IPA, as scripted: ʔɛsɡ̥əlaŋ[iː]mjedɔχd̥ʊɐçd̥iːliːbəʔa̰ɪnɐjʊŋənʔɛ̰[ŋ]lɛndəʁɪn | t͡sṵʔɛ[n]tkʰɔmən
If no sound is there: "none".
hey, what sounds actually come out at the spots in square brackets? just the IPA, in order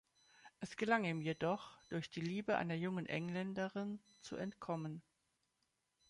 iː, ŋ, n

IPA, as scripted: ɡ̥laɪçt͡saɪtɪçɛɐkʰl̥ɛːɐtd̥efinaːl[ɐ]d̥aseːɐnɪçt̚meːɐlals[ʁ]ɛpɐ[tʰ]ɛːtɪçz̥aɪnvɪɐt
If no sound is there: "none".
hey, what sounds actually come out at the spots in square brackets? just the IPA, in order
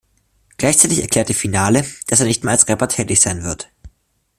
ə, ʁ, tʰ

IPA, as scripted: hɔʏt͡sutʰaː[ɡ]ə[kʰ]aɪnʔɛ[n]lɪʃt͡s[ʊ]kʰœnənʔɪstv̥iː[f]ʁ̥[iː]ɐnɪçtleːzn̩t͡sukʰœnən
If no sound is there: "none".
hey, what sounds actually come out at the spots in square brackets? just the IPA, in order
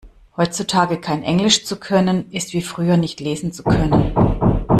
ɡ, kʰ, ŋ, u, f, yː

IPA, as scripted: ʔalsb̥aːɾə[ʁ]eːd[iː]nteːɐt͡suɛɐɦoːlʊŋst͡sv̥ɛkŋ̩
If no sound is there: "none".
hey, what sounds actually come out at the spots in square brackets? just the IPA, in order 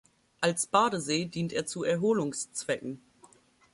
z, iː

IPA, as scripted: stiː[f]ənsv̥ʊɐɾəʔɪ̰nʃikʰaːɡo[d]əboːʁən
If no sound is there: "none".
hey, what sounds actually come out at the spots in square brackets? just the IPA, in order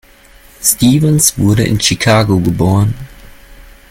v, ɡ

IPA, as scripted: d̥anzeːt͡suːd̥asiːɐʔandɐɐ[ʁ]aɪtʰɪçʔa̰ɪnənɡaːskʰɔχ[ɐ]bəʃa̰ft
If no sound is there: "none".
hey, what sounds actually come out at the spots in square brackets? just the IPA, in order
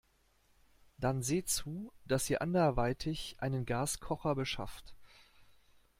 v, ɐ

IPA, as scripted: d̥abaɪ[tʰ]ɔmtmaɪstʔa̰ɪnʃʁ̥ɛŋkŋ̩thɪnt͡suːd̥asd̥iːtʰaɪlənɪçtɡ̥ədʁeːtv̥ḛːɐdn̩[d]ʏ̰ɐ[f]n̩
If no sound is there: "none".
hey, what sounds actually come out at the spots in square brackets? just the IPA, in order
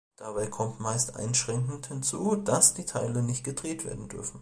kʰ, d, f

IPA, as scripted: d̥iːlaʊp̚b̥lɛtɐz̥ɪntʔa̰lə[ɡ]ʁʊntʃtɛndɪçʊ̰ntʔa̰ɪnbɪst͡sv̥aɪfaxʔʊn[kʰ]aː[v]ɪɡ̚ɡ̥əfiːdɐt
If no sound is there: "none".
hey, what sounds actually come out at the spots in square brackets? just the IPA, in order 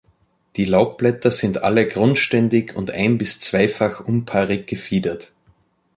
ɡ, pʰ, ʁ

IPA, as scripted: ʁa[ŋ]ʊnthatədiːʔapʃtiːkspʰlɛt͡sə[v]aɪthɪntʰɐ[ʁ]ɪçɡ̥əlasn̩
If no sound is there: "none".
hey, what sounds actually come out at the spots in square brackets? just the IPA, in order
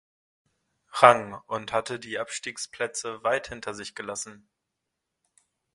ŋ, v, z

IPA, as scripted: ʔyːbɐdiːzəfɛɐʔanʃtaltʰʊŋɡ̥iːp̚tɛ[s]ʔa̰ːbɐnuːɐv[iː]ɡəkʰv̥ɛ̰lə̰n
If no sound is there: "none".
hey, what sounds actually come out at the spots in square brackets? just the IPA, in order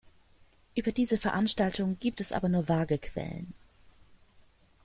s, aː

